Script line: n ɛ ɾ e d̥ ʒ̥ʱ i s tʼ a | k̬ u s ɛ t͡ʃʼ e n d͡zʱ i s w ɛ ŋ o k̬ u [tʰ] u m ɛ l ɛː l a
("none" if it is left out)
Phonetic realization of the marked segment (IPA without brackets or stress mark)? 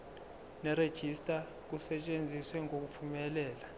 pʰ